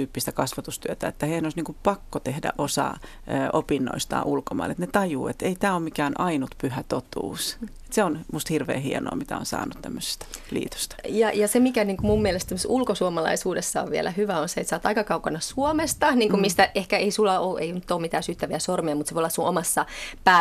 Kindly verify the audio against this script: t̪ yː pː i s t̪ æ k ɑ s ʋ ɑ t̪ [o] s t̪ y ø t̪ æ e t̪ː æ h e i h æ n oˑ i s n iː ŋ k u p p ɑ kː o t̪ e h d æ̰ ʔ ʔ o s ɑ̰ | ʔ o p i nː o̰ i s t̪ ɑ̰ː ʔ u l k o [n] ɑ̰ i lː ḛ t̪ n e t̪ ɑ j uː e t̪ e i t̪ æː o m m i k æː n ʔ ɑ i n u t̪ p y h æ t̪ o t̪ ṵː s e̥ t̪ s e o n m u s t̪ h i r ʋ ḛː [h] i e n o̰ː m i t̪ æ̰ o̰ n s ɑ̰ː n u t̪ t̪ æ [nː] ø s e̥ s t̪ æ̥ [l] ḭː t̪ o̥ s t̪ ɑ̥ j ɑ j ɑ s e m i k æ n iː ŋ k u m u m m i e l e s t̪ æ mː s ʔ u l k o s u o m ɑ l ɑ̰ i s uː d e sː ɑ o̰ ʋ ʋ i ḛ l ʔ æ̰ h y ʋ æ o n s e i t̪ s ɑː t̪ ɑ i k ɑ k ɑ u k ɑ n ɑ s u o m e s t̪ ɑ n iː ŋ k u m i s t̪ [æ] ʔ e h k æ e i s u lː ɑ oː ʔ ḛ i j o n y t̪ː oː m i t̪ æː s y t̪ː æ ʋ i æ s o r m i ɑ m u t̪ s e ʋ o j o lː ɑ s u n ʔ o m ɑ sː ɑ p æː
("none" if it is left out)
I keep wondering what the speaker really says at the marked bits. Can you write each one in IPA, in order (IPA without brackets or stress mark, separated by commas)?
u, m, h, mː, l, æ